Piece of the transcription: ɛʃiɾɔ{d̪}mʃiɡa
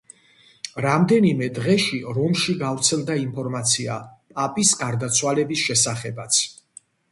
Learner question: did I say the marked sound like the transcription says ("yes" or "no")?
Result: no